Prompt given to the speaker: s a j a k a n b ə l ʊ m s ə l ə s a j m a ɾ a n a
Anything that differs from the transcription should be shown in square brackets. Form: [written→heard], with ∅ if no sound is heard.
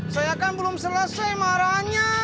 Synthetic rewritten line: s a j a k a n b ə l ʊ m s ə l ə s a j m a ɾ a [n→ɲ] a